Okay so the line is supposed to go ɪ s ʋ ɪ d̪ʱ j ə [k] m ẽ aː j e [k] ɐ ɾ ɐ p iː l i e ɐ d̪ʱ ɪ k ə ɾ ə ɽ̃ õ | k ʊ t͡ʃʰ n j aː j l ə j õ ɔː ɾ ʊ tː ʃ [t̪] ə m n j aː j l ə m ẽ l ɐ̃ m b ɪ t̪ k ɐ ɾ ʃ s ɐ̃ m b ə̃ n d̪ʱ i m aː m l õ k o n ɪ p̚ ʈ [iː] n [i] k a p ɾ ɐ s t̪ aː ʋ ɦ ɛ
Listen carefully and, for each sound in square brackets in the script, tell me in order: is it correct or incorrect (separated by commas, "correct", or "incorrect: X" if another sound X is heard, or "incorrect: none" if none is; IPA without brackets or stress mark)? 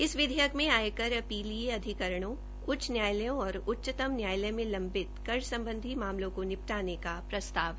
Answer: correct, correct, correct, incorrect: aː, incorrect: e